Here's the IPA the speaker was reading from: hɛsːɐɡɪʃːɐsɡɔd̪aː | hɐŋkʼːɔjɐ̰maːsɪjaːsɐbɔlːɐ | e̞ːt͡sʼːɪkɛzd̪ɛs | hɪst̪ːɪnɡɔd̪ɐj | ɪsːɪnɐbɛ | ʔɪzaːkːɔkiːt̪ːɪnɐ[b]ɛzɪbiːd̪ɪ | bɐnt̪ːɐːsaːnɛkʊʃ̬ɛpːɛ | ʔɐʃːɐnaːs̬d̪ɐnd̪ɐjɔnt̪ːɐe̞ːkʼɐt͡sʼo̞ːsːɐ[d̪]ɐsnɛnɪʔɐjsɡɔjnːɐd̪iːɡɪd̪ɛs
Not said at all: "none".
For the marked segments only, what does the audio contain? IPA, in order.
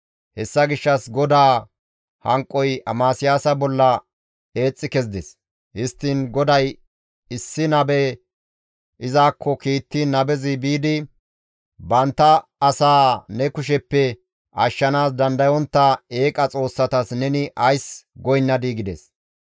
b, t̪

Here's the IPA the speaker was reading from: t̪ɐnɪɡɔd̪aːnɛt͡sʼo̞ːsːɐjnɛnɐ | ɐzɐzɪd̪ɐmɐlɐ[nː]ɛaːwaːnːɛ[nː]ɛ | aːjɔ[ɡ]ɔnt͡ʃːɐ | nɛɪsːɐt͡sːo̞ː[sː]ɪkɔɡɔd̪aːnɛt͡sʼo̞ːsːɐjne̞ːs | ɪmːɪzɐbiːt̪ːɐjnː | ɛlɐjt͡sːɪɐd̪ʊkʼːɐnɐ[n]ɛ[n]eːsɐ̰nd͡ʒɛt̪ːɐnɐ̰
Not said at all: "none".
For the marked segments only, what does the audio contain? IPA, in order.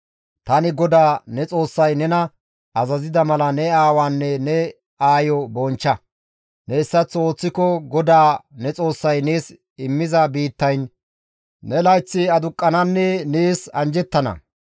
n, n, b, t͡sː, nː, n

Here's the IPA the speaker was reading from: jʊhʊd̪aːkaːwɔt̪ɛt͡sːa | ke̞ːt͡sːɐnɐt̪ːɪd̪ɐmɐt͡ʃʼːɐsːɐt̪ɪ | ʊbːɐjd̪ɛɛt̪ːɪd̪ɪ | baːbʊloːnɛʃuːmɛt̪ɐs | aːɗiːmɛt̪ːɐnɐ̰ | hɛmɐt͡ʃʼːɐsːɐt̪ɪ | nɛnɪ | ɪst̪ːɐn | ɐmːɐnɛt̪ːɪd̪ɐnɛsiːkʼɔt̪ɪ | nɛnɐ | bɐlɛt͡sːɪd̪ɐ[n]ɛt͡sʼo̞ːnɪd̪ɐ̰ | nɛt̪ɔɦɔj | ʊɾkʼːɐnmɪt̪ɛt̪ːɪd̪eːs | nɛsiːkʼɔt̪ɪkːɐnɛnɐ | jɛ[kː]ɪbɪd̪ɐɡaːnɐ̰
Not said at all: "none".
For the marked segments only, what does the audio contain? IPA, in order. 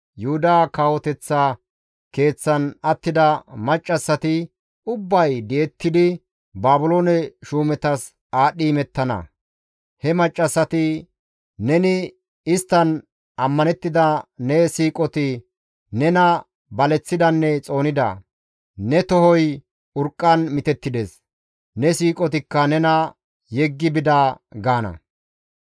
nː, ɡː

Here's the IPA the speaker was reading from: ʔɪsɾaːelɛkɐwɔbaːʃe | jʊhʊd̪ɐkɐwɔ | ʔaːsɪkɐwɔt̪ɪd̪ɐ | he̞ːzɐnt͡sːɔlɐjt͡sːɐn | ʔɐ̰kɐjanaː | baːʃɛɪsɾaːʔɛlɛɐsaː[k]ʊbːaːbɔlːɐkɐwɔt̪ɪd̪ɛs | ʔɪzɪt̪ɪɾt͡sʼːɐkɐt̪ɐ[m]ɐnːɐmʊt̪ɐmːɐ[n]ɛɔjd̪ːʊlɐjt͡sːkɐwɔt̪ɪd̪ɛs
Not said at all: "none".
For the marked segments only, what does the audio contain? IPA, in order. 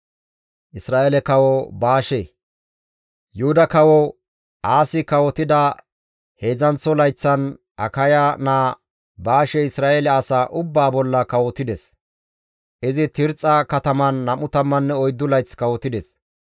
ʔ, m, nː

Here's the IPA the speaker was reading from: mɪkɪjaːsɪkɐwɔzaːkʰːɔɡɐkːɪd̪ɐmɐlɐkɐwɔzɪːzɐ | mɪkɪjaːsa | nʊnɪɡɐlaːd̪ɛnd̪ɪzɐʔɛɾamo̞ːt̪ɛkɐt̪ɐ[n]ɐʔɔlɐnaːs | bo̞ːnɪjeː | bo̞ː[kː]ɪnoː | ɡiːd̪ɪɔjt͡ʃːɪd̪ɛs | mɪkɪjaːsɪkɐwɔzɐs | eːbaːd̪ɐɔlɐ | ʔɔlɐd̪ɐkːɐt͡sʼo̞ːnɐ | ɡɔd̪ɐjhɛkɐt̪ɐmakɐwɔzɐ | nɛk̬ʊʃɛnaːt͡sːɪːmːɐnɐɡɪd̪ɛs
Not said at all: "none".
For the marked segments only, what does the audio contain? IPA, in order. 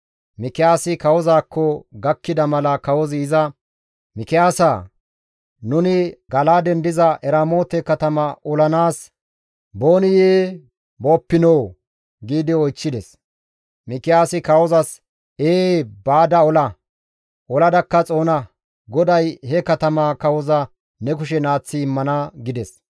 m, pː

